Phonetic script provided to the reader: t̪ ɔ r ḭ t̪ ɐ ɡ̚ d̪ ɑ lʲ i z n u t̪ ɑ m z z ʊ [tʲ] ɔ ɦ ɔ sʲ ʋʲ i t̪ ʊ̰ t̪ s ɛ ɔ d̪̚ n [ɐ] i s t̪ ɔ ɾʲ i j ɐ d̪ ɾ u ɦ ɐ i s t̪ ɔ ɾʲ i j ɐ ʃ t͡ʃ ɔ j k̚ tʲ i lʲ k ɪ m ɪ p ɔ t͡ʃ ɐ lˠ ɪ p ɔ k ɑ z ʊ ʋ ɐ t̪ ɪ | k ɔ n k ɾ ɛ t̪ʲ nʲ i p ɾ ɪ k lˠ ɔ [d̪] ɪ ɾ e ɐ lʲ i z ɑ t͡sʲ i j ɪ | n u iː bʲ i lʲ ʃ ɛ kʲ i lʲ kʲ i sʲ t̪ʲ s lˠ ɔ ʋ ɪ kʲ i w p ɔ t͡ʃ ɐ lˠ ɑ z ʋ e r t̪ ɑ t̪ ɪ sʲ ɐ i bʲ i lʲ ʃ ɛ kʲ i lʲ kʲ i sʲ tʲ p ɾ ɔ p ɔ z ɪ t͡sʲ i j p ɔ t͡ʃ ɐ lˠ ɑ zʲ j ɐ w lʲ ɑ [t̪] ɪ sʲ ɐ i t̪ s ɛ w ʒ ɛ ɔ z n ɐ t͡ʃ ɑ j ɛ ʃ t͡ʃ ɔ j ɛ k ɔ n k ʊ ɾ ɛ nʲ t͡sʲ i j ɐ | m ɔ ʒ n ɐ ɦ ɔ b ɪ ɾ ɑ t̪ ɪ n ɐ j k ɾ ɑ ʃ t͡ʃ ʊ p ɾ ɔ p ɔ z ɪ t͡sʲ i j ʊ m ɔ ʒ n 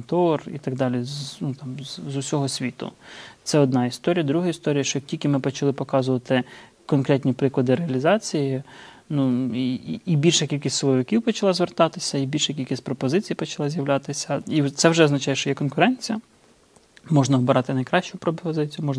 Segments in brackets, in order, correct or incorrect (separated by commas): incorrect, incorrect, correct, correct